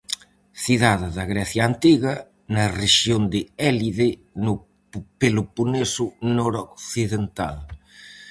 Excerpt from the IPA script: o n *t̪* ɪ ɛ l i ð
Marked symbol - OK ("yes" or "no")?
no